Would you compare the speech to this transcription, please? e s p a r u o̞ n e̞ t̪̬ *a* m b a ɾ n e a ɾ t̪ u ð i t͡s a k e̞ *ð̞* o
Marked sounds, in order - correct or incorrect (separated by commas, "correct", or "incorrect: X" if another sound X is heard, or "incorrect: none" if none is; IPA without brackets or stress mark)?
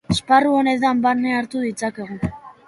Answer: correct, incorrect: ɣ̞